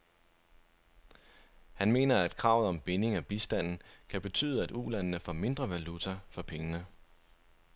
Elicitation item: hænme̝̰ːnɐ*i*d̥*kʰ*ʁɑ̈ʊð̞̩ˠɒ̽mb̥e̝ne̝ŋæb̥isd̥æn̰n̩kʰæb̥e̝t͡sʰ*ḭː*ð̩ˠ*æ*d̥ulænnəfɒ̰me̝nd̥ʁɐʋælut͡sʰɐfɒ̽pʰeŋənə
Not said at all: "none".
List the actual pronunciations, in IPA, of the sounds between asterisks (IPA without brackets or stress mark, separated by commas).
æ, kʰ, y̰ː, æ